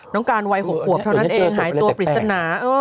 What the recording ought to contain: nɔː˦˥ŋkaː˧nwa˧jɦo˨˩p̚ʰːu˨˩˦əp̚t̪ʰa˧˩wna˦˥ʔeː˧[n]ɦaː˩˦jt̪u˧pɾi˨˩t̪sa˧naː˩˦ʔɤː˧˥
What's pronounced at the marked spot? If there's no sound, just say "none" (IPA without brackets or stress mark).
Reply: ŋ